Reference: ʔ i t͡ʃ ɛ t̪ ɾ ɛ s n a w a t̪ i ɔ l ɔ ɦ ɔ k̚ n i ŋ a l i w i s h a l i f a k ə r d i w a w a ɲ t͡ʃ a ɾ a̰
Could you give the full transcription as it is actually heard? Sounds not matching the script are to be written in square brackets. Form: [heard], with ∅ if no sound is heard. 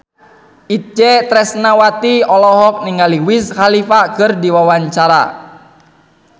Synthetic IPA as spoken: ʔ i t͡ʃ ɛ t̪ ɾ ɛ s n a w a t̪ i ɔ l ɔ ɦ ɔ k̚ n i ŋ a l i w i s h a l i f a k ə r d i w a w a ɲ t͡ʃ a ɾ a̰